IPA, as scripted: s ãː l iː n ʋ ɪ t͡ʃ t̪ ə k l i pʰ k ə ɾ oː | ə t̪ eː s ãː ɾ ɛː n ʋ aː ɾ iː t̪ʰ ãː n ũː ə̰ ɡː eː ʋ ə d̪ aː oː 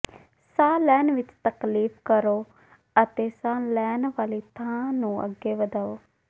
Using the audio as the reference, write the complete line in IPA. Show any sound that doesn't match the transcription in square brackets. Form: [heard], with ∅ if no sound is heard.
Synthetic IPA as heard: s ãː l [ɛː] n ʋ ɪ t͡ʃ t̪ ə k l [iː] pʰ k ə ɾ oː | ə t̪ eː s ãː [l] ɛː n ʋ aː [l] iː t̪ʰ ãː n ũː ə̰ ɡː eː ʋ ə d̪ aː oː